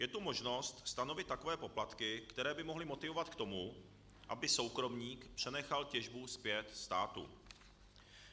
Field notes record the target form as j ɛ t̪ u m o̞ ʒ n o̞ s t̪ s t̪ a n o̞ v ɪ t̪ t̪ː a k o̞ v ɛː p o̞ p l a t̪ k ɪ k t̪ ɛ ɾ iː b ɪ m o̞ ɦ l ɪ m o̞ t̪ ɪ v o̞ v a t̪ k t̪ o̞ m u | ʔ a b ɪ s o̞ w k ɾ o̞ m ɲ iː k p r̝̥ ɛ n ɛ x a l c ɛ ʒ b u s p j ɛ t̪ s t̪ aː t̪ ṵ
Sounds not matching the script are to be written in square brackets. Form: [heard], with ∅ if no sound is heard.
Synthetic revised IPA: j ɛ t̪ u m o̞ ʒ n o̞ s t̪ s t̪ a n o̞ v ɪ t̪ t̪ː a k o̞ v ɛː p o̞ p l a t̪ k ɪ k t̪ ɛ ɾ [ɛː] b ɪ m o̞ ɦ l ɪ m o̞ t̪ ɪ v o̞ v a t̪ k t̪ o̞ m u | ʔ a b ɪ s o̞ w k ɾ o̞ m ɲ iː k p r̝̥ ɛ n ɛ x a l c ɛ ʒ b u s p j ɛ t̪ s t̪ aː t̪ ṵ